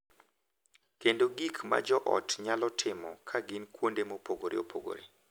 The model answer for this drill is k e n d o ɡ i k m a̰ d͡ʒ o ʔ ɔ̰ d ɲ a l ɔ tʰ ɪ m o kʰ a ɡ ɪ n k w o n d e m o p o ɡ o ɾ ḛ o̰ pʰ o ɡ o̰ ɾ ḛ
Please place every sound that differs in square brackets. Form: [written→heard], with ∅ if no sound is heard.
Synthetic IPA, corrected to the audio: k e n d o ɡ i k m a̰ d͡ʒ [o→ɔ] ʔ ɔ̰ [d→t] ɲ a l ɔ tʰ ɪ m [o→ɔ] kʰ a ɡ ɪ n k w o n d e m o p o ɡ o ɾ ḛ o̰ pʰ o ɡ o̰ ɾ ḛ